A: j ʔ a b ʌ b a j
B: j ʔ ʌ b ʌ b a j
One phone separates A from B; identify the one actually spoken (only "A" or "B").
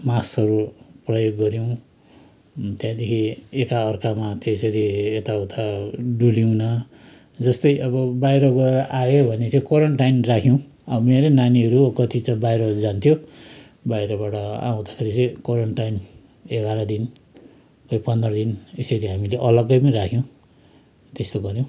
B